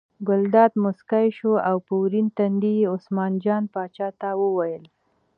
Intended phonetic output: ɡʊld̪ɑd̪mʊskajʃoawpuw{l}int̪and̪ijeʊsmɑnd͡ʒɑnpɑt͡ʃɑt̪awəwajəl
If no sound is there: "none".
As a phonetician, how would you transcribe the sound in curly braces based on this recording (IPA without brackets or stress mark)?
ɾ